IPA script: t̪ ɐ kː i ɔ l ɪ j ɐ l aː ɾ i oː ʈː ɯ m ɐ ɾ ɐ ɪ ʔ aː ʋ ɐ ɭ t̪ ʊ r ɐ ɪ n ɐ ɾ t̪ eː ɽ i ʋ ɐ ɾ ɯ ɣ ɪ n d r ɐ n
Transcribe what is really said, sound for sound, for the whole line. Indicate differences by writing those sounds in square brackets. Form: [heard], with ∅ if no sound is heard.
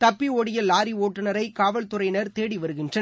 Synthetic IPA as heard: t̪ ɐ [pː] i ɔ [ɽ] ɪ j ɐ l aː ɾ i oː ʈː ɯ [n] ɐ ɾ ɐ ɪ [k] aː ʋ ɐ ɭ t̪ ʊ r ɐ ɪ n ɐ ɾ t̪ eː ɽ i ʋ ɐ ɾ ɯ ɣ ɪ n d r ɐ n